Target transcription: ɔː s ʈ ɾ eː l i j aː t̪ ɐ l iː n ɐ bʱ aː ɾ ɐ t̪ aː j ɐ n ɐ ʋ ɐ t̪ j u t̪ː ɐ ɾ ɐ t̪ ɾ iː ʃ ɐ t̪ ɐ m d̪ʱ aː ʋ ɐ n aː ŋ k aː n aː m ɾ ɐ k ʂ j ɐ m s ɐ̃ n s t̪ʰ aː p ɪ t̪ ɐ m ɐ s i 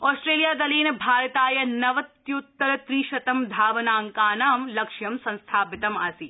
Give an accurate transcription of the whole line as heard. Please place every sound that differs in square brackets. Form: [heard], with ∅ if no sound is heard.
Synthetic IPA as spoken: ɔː s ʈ ɾ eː l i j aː [d̪] ɐ l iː n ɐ bʱ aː ɾ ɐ t̪ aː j ɐ n ɐ ʋ ɐ t̪ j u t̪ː ɐ ɾ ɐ t̪ ɾ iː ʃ ɐ t̪ ɐ m d̪ʱ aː ʋ ɐ n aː ŋ k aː n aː m [l] ɐ k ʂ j ɐ m s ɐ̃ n s t̪ʰ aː p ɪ t̪ ɐ m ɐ s i